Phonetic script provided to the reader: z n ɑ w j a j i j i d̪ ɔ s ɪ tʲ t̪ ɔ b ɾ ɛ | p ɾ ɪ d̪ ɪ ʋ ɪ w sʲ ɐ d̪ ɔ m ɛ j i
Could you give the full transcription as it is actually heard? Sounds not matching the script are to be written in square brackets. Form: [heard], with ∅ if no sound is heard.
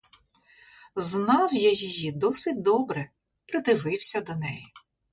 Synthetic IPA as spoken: z n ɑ w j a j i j i d̪ ɔ s ɪ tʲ [d̪] ɔ b ɾ ɛ | p ɾ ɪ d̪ ɪ ʋ ɪ w sʲ ɐ d̪ ɔ [n] ɛ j i